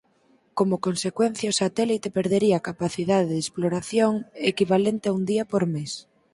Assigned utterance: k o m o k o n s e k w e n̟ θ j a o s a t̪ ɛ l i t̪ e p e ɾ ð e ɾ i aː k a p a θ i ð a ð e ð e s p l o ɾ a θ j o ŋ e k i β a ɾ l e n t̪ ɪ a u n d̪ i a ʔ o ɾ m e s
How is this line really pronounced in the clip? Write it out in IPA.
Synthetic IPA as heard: k o m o k o n s e k w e n̟ θ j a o s a t̪ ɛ l i t̪ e p e ɾ ð e ɾ i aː k a p a θ i ð a ð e ð e s p l o ɾ a θ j o ŋ e k i β a l e n t̪ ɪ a u n d̪ i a p o ɾ m e s